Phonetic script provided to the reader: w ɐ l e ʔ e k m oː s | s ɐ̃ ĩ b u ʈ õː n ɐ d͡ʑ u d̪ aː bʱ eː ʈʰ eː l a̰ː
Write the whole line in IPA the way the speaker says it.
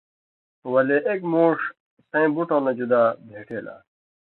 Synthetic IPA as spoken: w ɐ l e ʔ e k m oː ʂ | s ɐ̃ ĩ b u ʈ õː n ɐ d͡ʑ u d̪ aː bʱ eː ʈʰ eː l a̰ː